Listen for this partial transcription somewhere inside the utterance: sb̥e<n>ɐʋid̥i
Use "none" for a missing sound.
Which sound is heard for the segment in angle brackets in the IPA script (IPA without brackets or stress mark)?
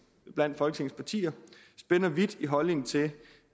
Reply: n